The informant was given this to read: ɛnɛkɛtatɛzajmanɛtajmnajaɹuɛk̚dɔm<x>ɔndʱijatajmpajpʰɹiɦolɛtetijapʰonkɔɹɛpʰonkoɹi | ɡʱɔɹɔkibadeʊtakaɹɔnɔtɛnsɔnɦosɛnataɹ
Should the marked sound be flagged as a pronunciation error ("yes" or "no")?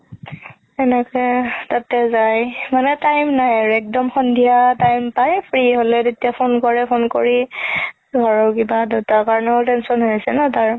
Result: no